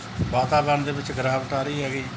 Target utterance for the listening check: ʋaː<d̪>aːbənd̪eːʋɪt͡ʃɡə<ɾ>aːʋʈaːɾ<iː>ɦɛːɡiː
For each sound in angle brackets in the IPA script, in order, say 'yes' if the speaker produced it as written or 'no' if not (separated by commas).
no, yes, yes